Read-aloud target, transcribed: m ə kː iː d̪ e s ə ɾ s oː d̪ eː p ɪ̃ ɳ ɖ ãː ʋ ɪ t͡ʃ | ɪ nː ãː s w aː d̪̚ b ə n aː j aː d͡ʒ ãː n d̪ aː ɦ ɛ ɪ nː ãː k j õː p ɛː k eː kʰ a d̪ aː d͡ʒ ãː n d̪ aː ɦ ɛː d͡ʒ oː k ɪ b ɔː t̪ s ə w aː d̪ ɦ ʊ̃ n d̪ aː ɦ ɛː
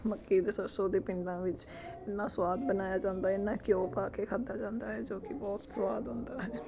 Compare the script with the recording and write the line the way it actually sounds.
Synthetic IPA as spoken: m ə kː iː d̪ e s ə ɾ s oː d̪ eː p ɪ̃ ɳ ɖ ãː ʋ ɪ t͡ʃ | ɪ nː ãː s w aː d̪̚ b ə n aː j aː d͡ʒ ãː n d̪ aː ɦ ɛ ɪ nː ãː k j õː p aː k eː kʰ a d̪ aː d͡ʒ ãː n d̪ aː ɦ ɛː d͡ʒ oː k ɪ b ɔː t̪ s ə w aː d̪ ɦ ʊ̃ n d̪ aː ɦ ɛː

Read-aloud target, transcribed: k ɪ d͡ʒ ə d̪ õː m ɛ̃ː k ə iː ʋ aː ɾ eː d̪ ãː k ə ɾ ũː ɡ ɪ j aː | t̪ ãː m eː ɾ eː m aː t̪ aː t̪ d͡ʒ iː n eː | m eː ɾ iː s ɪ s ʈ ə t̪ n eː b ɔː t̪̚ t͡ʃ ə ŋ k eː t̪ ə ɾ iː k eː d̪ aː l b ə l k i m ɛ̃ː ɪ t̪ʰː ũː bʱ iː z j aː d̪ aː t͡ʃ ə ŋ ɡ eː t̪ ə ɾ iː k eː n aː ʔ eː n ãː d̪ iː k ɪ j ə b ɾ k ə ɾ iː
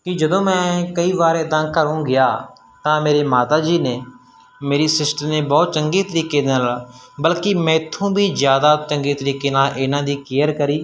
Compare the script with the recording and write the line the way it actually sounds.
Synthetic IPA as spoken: k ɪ d͡ʒ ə d̪ õː m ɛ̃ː k ə iː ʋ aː ɾ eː d̪ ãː k ə ɾ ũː ɡ ɪ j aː | t̪ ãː m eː ɾ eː m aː t̪ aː d͡ʒ iː n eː | m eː ɾ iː s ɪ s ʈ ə n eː b ɔː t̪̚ t͡ʃ ə ŋ ɡ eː t̪ ə ɾ iː k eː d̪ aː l b ə l k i m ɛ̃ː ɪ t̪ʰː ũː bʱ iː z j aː d̪ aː t͡ʃ ə ŋ ɡ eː t̪ ə ɾ iː k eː n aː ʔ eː n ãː d̪ iː k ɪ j ə ɾ k ə ɾ iː

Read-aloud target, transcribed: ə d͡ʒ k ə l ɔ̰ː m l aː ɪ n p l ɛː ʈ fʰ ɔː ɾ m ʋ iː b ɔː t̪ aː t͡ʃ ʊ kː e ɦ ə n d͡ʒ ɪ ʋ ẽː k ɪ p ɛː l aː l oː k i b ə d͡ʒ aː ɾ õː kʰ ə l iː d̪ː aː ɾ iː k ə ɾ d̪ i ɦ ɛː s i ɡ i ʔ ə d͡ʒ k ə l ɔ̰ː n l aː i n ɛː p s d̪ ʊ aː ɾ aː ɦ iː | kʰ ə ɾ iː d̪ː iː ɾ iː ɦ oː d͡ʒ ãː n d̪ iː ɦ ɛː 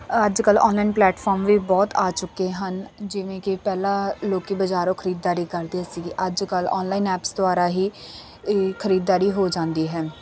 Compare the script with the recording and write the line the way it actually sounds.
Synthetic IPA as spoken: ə d͡ʒ k ə l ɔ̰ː n l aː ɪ n p l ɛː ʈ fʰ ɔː ɾ m ʋ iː b ɔː t̪ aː t͡ʃ ʊ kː e ɦ ə n d͡ʒ ɪ ʋ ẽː k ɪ p ɛː l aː l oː k i b ə d͡ʒ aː ɾ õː kʰ ə ɾ iː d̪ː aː ɾ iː k ə ɾ d̪ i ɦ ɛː s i ɡ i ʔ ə d͡ʒ k ə l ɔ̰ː n l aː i n ɛː p s d̪ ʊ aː ɾ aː ɦ iː | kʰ ə ɾ iː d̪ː aː ɾ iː ɦ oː d͡ʒ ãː n d̪ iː ɦ ɛː

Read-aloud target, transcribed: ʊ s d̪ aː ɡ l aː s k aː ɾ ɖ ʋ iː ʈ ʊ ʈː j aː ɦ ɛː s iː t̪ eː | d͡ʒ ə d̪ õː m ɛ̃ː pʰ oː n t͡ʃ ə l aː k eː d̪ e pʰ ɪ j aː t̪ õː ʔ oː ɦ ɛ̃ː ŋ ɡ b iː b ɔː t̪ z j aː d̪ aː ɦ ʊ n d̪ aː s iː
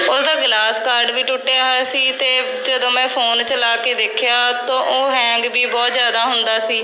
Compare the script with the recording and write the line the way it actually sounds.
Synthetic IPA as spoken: ʊ s d̪ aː ɡ l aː s k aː ɾ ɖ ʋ iː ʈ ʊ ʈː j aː ɦ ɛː s iː t̪ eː | d͡ʒ ə d̪ õː m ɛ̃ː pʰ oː n t͡ʃ ə l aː k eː d̪ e kʰ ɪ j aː t̪ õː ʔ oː ɦ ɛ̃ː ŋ ɡ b iː b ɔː t̪ z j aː d̪ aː ɦ ʊ n d̪ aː s iː

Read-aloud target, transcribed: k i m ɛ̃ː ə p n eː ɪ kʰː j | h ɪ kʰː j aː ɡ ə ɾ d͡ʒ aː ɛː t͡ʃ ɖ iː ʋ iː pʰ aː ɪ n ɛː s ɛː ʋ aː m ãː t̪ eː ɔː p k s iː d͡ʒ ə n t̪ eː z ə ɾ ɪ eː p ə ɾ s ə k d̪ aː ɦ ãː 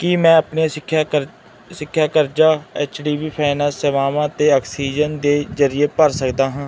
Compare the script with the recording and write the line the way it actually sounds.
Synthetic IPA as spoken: k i m ɛ̃ː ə p n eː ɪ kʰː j | s ɪ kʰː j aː k ə ɾ d͡ʒ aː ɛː t͡ʃ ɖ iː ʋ iː pʰ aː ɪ n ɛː s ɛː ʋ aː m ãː t̪ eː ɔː k s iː d͡ʒ ə n d̪ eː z ə ɾ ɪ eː p ə ɾ s ə k d̪ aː ɦ ãː

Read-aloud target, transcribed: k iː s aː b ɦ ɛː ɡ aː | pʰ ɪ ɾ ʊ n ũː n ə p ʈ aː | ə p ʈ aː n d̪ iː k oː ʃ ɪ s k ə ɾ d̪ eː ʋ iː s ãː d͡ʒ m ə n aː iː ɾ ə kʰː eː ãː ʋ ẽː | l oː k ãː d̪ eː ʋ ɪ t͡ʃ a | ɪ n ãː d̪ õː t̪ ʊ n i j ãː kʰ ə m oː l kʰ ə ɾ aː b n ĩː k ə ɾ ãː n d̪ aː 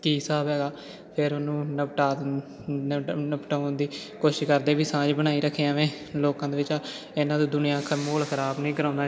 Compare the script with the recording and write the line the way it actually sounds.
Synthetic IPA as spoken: k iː s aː b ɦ ɛː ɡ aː | pʰ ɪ ɾ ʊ n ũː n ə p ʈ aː | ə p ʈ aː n d̪ iː k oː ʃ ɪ ʃ k ə ɾ d̪ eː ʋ iː s ãː d͡ʒ b ə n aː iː ɾ ə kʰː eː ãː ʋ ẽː | l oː k ãː d̪ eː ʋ ɪ t͡ʃ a | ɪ n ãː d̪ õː d̪ ʊ n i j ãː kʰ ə m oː l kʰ ə ɾ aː b n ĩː k ə ɾ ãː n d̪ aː

